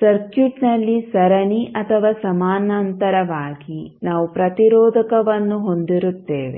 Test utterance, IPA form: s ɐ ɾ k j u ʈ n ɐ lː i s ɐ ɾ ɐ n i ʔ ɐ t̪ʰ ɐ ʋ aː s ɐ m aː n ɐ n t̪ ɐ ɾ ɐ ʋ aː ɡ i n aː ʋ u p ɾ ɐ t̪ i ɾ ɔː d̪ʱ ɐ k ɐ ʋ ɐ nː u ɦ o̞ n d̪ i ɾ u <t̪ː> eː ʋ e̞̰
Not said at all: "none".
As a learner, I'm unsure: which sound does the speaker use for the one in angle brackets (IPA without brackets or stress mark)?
t̪ː